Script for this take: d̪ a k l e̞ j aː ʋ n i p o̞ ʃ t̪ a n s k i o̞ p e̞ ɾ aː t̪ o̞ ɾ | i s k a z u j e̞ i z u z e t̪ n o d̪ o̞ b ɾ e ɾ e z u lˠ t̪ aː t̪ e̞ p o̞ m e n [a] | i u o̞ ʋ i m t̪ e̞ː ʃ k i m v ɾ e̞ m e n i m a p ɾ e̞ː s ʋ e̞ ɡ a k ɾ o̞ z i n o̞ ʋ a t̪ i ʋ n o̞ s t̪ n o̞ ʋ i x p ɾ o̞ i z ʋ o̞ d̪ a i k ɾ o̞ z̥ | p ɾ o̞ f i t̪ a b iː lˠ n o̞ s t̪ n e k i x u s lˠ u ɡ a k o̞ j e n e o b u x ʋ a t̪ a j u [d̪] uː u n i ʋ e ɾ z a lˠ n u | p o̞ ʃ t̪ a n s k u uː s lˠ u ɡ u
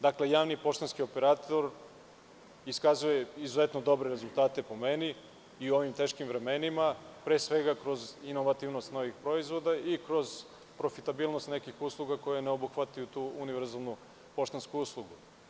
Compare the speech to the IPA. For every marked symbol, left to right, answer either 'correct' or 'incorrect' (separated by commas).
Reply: incorrect, incorrect